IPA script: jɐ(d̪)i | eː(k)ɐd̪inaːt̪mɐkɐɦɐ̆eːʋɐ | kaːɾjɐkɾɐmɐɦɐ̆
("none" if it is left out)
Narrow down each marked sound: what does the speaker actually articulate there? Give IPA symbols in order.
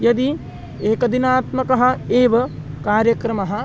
d̪, k

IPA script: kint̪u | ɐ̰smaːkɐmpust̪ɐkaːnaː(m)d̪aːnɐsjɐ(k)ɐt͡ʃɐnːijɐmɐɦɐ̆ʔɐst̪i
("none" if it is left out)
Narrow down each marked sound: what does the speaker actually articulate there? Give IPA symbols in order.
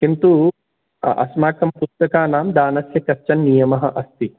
m, k

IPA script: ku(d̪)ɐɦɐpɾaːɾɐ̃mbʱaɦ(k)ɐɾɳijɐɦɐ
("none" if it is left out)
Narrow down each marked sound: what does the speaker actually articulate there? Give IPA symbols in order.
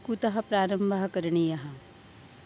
t̪, k

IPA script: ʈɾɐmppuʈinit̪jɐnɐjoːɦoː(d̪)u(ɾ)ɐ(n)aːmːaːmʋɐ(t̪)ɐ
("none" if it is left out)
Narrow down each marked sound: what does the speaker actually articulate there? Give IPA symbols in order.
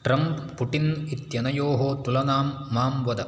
t̪, l, n, d̪

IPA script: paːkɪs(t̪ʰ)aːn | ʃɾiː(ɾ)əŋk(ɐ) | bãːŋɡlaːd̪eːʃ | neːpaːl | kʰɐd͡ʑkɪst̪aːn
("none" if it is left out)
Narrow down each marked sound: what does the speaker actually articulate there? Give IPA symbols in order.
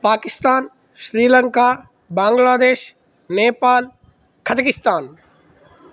t̪, l, a

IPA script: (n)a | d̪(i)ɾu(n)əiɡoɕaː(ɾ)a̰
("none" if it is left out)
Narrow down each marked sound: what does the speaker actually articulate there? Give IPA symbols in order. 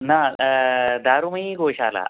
n, a, m, l

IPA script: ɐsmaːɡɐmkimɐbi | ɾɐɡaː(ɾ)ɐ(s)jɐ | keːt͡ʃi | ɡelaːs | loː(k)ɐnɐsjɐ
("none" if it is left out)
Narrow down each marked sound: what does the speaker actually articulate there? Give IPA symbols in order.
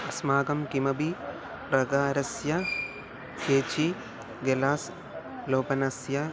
ɾ, s, p

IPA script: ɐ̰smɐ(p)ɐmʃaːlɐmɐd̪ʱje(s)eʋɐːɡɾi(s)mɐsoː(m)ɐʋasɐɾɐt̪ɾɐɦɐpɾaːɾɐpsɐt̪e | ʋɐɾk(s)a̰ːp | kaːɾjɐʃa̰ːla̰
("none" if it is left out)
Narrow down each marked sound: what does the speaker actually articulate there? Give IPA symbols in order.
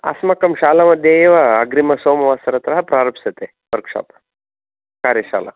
k, none, none, m, ʂ

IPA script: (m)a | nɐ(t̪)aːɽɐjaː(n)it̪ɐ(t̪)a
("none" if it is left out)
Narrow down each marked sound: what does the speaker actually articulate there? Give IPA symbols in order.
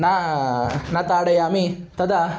n, t̪, m, d̪

